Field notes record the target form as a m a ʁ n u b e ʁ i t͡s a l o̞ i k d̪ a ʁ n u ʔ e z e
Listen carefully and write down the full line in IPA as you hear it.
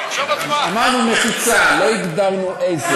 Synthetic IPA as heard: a m a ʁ n u m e χ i t͡s a l o̞ i ɡ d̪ a ʁ n u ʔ e z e